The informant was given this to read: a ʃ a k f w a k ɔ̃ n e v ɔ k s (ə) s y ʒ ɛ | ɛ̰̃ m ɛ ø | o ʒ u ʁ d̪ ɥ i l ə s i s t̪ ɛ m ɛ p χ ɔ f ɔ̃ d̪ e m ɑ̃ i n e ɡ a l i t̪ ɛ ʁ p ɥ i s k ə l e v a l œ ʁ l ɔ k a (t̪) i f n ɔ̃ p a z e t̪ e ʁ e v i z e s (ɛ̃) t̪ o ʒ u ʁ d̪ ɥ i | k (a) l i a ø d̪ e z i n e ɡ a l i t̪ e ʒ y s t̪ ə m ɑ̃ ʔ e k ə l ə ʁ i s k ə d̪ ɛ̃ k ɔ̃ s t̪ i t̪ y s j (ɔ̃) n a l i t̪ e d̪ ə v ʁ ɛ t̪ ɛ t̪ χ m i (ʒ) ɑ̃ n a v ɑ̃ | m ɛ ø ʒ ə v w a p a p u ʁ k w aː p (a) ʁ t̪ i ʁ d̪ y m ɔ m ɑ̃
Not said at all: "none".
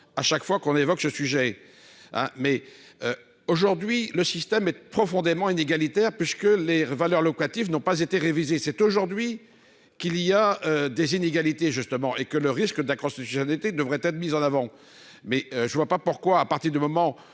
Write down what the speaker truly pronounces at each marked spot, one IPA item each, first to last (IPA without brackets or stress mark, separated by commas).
ə, t̪, ɛ, i, ɔ, z, a